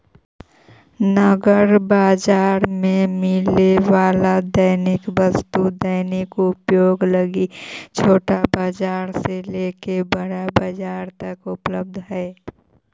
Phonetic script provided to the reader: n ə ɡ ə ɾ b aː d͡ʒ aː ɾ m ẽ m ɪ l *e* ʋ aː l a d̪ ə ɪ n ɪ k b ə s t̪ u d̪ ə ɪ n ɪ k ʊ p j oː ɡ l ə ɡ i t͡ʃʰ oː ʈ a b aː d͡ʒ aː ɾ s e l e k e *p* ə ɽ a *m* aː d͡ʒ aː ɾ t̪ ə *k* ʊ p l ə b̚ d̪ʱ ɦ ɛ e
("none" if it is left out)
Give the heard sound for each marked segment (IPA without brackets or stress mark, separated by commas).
e, b, b, k